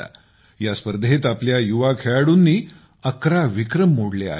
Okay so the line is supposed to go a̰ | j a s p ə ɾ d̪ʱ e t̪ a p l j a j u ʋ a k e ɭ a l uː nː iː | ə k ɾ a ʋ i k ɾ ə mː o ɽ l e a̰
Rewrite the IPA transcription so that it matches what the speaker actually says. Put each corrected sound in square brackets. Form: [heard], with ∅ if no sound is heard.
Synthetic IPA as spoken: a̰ | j a s p ə ɾ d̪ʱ e t̪ a p l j a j u ʋ a [kʰ] e ɭ a [ɽ] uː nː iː | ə k ɾ a ʋ i k ɾ ə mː o ɽ l e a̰